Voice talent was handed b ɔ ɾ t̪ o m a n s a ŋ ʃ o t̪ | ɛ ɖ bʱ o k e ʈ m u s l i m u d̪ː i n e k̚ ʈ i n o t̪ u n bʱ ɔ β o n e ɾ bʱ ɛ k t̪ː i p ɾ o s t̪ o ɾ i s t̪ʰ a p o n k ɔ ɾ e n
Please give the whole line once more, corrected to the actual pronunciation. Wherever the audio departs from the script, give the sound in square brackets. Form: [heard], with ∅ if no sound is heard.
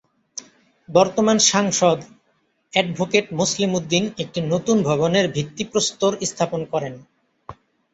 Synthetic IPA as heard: b ɔ ɾ t̪ o m a n [ʃ] a ŋ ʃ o [d̪] | ɛ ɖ bʱ o k e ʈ m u s l i m u d̪ː i n e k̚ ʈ i n o t̪ u n bʱ ɔ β o n e ɾ bʱ [i] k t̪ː i p ɾ o s t̪ o ɾ i s t̪ʰ a p o n k ɔ ɾ e n